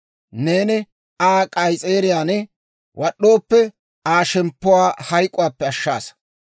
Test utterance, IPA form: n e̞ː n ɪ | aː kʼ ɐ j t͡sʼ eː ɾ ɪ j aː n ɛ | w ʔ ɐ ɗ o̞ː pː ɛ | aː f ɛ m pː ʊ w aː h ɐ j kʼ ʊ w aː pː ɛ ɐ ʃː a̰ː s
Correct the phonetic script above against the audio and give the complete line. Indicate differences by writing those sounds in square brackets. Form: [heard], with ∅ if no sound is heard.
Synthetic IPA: n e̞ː n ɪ | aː kʼ ɐ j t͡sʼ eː ɾ ɪ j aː n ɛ | w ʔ ɐ ɗ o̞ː pː ɛ | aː [ʃ] ɛ m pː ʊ w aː h ɐ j kʼ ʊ w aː pː ɛ ɐ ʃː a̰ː s